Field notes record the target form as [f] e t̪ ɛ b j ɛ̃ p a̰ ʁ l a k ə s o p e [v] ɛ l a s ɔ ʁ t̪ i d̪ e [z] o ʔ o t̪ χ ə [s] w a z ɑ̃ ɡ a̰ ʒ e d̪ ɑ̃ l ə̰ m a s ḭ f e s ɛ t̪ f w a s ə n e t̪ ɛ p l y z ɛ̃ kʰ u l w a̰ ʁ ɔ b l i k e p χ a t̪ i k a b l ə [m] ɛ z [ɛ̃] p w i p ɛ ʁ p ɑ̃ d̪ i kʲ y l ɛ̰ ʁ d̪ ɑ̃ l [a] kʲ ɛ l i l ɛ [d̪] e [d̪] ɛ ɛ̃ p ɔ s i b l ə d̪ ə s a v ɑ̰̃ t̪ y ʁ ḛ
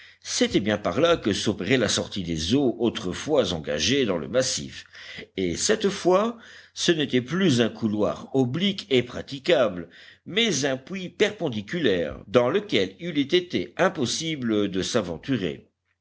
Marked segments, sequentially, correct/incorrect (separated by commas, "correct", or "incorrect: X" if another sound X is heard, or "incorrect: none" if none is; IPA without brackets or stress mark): incorrect: s, incorrect: ʁ, correct, incorrect: f, correct, correct, incorrect: ə, incorrect: t̪, incorrect: t̪